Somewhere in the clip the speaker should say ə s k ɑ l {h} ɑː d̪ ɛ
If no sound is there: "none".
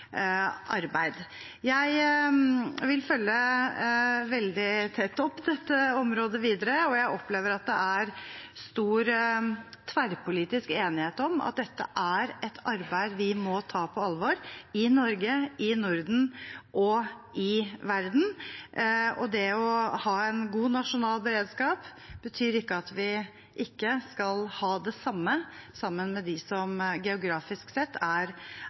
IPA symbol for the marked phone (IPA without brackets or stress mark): h